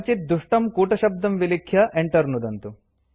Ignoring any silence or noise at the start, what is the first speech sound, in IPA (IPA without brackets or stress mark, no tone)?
t͡ʃ